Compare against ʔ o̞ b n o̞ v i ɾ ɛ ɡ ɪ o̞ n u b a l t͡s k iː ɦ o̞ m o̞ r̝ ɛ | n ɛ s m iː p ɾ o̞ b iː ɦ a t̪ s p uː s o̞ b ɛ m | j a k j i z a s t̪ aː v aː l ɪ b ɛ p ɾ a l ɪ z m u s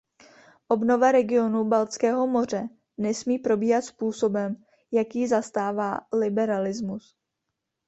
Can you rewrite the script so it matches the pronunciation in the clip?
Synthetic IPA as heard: ʔ o̞ b n o̞ v a ɾ ɛ ɡ ɪ o̞ n u b a l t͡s k ɛː ɦ o̞ m o̞ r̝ ɛ | n ɛ s m iː p ɾ o̞ b iː ɦ a t̪ s p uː s o̞ b ɛ m | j a k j i z a s t̪ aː v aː l ɪ b ɛ ɾ a l ɪ z m u s